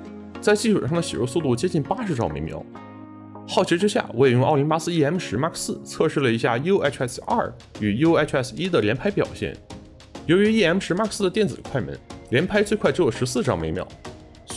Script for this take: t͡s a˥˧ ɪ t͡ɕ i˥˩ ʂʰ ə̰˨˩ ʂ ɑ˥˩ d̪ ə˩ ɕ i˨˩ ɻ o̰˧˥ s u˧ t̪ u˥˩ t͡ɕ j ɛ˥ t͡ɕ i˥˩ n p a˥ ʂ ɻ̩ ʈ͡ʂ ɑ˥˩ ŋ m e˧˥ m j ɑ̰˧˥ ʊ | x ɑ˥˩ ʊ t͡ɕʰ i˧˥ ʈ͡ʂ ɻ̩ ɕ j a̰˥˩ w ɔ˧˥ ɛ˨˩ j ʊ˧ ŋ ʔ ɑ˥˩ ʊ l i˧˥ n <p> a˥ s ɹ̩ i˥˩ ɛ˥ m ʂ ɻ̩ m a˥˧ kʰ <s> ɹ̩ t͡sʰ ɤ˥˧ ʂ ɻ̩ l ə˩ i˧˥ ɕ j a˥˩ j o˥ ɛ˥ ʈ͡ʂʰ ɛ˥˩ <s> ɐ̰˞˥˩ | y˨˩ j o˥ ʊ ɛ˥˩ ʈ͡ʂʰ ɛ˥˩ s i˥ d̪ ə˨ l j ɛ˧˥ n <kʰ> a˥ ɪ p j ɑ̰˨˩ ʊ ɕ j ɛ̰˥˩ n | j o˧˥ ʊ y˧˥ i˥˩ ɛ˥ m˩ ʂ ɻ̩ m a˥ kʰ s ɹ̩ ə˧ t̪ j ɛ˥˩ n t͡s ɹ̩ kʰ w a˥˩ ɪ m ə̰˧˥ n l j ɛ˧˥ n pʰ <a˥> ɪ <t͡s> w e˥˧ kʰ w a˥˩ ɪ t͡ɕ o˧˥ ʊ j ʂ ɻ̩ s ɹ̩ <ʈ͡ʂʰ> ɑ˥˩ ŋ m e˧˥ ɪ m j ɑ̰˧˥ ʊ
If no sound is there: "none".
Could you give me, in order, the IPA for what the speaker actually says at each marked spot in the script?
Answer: p, s, s, pʰ, a˥, t͡s, ʈ͡ʂ

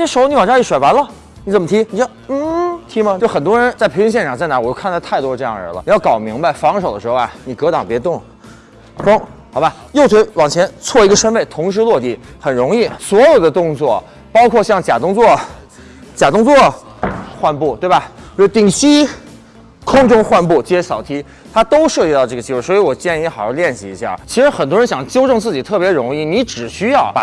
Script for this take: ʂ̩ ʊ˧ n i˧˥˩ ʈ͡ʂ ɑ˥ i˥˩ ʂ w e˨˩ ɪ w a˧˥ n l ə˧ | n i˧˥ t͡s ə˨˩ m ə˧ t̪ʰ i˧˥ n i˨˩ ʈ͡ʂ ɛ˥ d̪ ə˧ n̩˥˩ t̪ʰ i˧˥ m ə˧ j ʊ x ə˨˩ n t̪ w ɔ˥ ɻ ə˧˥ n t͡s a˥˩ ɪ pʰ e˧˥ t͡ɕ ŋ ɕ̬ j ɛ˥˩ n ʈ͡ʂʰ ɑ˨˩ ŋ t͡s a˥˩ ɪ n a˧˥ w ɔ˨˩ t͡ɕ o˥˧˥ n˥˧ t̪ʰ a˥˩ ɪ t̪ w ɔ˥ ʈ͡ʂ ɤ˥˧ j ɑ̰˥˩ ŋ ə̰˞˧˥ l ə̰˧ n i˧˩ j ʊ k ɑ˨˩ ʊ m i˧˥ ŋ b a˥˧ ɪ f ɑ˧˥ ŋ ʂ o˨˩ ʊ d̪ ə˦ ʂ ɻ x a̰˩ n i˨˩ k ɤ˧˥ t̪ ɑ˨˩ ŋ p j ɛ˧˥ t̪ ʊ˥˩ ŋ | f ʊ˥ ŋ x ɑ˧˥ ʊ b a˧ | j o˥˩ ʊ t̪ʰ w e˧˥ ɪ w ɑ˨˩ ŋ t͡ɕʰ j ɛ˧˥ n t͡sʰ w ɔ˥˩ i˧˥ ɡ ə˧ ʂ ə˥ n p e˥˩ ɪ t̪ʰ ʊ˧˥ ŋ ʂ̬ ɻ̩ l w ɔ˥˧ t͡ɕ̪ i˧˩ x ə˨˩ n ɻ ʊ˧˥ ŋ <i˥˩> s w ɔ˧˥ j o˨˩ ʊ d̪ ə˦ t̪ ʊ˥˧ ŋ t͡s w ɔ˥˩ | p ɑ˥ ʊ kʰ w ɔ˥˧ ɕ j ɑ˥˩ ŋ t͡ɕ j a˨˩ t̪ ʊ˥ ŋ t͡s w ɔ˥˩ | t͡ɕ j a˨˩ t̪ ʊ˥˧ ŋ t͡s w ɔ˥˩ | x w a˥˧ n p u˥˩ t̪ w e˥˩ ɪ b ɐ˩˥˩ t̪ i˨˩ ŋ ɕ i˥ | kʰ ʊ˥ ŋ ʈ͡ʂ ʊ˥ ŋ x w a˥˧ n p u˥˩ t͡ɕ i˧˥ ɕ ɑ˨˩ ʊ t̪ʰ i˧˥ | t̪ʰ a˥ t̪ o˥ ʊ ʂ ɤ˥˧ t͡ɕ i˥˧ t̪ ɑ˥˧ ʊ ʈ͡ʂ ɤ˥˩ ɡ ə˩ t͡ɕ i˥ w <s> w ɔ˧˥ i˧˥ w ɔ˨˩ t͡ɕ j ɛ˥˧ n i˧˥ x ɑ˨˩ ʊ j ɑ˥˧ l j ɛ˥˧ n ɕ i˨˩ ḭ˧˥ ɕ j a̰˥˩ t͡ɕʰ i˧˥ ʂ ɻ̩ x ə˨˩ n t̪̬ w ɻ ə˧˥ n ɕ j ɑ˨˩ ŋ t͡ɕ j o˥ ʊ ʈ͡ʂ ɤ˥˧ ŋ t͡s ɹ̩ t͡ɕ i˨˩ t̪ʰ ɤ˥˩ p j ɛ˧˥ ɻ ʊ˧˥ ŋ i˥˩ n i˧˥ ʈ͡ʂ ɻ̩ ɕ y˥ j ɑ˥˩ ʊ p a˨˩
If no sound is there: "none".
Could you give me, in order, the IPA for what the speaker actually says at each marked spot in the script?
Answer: i˥˩, s

